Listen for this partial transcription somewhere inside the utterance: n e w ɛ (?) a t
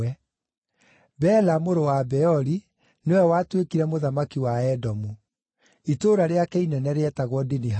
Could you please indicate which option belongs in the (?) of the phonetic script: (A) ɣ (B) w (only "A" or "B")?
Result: B